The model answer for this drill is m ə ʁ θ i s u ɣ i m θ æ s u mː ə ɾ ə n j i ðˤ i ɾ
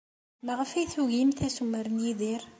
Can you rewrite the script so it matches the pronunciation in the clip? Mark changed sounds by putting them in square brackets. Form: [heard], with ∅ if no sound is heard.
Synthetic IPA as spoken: m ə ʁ [f] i [θ] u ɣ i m θ æ s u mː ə ɾ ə n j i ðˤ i ɾ